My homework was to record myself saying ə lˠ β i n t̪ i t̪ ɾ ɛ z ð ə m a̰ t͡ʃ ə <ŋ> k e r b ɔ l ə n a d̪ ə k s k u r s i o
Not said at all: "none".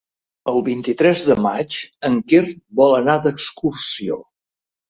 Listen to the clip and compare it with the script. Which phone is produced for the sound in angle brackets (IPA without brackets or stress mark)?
ŋ